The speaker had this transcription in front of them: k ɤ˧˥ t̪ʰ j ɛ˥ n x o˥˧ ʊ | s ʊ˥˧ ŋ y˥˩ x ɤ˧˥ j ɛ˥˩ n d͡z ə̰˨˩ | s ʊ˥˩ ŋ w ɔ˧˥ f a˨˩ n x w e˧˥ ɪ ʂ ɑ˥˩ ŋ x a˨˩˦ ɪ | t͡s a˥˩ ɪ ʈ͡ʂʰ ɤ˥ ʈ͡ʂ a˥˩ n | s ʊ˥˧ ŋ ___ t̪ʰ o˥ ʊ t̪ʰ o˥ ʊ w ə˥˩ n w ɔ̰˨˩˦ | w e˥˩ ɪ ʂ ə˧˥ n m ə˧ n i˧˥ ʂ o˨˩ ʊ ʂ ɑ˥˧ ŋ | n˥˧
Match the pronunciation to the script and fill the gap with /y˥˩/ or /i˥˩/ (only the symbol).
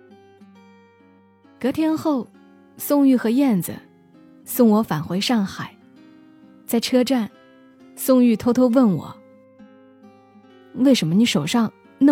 y˥˩